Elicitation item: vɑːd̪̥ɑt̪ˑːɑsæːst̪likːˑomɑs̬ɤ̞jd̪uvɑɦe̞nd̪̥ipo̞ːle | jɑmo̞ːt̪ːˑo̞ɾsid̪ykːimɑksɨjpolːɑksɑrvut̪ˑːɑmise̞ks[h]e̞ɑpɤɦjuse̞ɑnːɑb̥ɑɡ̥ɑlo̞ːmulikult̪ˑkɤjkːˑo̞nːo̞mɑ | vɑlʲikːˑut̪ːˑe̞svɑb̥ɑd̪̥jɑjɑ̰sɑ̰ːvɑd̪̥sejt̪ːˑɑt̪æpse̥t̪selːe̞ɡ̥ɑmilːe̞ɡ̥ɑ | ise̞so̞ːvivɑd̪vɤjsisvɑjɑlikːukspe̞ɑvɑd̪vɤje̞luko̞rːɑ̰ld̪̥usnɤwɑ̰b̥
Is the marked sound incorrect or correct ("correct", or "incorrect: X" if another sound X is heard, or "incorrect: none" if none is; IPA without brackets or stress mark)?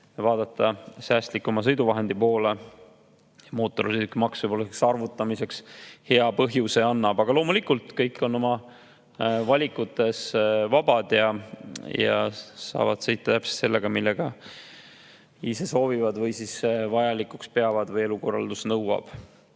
correct